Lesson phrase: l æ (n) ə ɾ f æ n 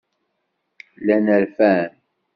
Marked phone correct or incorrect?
correct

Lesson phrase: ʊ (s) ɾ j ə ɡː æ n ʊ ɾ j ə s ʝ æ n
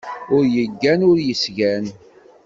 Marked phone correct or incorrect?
incorrect: none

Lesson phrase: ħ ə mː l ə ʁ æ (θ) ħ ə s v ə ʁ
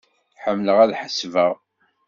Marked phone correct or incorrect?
incorrect: ð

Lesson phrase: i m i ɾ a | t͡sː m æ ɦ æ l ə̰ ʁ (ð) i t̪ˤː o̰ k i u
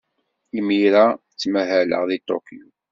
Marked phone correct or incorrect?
correct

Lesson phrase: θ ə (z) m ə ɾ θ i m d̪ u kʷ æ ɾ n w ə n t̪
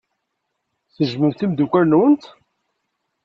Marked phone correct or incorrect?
incorrect: ʒ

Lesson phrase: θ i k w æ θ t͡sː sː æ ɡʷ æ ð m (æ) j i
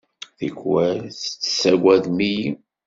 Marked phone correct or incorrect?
incorrect: i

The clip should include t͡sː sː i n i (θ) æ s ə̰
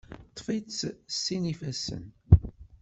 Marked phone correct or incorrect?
incorrect: f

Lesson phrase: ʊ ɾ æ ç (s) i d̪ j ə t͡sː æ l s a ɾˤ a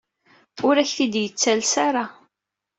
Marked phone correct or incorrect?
incorrect: θ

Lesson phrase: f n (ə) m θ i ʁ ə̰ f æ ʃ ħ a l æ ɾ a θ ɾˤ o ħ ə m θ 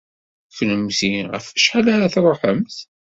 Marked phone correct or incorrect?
correct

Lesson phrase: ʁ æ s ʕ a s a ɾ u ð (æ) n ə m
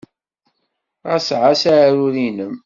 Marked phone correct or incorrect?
incorrect: i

